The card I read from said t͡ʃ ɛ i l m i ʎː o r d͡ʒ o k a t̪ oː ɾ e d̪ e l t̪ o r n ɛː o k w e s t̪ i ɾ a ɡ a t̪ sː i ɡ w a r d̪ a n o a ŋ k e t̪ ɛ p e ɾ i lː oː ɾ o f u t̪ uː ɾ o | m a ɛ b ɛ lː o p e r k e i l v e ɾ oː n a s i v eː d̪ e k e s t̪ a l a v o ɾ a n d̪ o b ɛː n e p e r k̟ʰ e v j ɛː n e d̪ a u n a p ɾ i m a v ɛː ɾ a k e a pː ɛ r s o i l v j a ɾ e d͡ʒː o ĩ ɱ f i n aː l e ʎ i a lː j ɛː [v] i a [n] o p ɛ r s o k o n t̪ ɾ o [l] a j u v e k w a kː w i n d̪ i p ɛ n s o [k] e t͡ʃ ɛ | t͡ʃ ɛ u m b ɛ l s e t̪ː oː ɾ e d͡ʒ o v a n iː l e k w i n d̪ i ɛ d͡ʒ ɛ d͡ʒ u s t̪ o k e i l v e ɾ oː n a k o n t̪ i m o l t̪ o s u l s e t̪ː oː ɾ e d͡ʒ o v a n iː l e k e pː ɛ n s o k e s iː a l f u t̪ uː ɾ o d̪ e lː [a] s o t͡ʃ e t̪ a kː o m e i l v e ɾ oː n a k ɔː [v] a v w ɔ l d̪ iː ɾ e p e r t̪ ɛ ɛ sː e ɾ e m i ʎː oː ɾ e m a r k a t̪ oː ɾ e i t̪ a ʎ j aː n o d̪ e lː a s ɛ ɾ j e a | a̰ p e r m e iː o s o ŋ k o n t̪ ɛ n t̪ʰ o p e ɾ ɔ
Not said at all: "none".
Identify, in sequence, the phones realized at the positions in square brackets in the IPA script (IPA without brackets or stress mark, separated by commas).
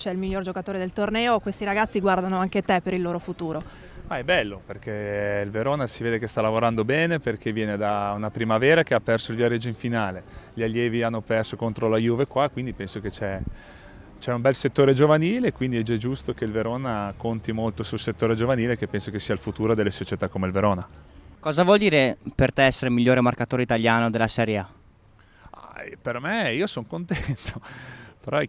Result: v, nː, l, k, e, z